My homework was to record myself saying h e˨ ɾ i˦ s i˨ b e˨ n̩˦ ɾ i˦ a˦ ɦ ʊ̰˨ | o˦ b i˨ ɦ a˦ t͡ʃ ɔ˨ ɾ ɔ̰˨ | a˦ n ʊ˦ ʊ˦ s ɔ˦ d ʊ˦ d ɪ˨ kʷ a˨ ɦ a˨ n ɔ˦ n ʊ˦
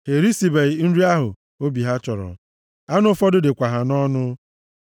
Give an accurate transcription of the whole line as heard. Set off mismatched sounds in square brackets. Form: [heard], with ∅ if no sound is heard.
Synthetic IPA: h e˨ ɾ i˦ s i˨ b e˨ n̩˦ ɾ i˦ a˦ ɦ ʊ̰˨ | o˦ b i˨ ɦ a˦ t͡ʃ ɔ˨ ɾ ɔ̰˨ | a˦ n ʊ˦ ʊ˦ [f] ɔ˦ d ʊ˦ d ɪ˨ kʷ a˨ ɦ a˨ n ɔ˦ n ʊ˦

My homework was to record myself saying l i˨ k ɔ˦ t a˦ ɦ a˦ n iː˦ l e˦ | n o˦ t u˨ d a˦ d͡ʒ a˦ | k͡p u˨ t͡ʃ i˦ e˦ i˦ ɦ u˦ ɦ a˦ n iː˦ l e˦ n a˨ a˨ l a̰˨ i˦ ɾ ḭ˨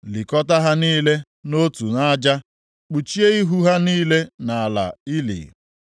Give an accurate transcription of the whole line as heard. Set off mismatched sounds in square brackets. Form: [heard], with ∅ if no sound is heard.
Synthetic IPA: l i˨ k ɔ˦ t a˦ ɦ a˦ n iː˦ l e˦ | n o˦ t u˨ [n] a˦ d͡ʒ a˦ | k͡p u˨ t͡ʃ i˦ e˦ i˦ ɦ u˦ ɦ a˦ n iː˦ l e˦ n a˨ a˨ l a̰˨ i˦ [l] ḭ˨

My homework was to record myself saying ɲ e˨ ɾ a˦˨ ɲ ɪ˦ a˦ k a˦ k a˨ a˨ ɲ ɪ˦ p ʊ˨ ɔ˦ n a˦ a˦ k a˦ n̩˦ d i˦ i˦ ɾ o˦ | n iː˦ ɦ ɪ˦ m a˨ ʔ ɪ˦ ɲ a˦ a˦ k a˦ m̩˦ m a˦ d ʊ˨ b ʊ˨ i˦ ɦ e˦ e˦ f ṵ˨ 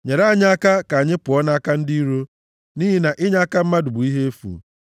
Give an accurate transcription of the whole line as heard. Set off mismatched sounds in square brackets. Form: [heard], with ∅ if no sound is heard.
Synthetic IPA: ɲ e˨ ɾ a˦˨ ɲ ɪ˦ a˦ k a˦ k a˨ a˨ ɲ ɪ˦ p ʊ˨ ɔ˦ n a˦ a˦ k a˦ n̩˦ d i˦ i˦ ɾ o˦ | n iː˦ ɦ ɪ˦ [n] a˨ ʔ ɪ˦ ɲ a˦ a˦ k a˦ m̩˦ m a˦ d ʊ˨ b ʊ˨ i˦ ɦ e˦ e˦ f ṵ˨

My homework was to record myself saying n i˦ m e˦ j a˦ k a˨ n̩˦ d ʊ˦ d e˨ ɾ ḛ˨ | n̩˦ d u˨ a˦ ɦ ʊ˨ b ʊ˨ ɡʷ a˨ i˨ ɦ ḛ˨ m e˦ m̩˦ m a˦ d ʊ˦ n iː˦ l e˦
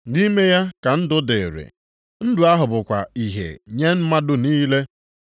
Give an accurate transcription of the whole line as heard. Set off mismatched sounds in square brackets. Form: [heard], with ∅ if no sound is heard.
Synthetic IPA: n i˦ m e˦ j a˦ k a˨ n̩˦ d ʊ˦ d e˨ ɾ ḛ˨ | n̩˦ d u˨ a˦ ɦ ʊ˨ b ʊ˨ [kʷ] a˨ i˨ ɦ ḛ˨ [ɲ] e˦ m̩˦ m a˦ d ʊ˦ n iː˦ l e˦

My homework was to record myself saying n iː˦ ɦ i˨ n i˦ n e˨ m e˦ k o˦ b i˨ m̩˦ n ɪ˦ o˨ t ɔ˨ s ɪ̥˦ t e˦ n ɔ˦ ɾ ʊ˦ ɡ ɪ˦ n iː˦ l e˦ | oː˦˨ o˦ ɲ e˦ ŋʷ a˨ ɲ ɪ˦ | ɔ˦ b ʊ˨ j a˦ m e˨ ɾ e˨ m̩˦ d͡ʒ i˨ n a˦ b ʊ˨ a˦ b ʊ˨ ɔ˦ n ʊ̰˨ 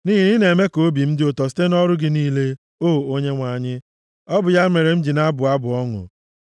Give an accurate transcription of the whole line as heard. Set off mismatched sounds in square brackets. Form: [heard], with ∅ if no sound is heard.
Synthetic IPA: n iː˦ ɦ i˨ n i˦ n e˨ m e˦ k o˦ b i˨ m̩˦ [d] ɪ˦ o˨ t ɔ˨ s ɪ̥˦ t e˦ n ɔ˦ ɾ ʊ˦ ɡ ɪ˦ n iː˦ l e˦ | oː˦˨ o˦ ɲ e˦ ŋʷ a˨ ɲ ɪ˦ | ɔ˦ b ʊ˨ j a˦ m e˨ ɾ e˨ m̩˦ d͡ʒ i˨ n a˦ b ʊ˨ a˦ b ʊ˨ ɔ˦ [ŋ] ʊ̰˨

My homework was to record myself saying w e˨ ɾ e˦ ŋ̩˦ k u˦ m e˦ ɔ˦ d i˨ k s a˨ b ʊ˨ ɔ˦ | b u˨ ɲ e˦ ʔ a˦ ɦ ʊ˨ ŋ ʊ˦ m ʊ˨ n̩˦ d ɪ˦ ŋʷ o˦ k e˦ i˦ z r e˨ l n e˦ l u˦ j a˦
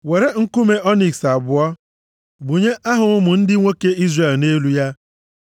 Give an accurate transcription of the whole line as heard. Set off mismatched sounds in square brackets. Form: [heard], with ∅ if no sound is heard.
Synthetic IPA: w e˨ ɾ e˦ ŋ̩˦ k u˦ m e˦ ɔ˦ [n] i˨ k s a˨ b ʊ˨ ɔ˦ | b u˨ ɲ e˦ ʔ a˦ ɦ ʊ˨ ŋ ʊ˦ m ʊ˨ n̩˦ d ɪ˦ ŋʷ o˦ k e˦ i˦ z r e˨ l n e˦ l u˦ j a˦

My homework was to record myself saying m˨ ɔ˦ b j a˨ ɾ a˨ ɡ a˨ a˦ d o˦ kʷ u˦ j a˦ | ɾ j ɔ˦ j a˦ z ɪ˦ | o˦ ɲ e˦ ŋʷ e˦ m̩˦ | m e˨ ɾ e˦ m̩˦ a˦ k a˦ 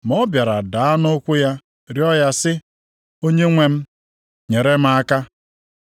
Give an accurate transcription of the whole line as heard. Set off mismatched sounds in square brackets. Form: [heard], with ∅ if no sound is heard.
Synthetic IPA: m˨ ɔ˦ b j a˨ ɾ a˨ [d] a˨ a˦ [n] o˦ kʷ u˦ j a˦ | ɾ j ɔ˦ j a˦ [s] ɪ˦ | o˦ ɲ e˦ ŋʷ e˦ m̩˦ | [ɲ] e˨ ɾ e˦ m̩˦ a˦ k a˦

